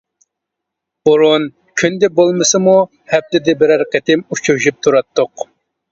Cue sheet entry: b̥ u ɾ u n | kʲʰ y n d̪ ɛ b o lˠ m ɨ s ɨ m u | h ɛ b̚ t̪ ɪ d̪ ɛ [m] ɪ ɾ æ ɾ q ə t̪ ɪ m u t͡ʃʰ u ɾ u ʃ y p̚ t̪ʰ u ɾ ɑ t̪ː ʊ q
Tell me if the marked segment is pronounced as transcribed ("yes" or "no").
no